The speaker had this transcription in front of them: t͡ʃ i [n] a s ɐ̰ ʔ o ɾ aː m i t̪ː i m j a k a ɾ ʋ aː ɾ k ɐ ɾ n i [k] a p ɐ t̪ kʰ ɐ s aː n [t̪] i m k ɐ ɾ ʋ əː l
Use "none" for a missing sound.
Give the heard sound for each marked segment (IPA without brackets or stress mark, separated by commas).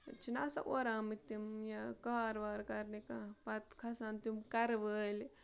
n, k, t̪